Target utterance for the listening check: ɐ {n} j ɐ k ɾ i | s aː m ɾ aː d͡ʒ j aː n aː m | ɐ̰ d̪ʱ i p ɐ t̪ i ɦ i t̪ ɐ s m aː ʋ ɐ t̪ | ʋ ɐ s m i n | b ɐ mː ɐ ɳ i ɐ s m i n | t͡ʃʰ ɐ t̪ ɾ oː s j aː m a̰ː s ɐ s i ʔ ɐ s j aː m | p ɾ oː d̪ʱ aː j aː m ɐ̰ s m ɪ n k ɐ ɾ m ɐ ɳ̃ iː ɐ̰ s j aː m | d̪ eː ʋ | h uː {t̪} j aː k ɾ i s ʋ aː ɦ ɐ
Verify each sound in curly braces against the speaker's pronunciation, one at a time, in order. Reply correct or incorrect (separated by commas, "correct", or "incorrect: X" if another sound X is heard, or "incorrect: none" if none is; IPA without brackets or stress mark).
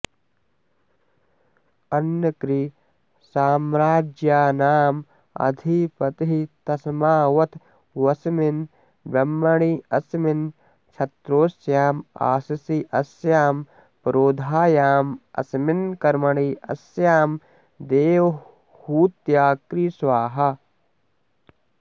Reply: correct, correct